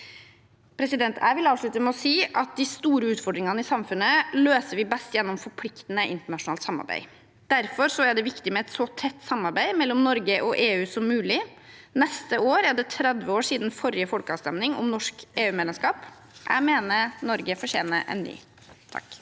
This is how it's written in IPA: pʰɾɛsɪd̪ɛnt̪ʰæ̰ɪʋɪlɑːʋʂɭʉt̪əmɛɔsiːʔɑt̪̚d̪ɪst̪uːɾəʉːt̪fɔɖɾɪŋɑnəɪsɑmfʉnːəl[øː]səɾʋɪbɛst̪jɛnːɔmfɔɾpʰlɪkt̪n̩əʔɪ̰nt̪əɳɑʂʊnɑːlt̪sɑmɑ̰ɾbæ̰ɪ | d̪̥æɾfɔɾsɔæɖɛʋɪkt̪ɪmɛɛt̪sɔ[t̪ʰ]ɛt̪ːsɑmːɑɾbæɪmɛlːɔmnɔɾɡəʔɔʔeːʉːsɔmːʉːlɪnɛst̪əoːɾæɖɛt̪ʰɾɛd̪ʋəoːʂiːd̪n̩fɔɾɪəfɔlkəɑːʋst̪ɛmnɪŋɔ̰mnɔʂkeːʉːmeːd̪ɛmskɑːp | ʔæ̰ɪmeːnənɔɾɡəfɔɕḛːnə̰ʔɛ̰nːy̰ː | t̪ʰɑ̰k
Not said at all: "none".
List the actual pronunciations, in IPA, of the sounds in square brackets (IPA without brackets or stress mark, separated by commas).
øː, t̪ʰ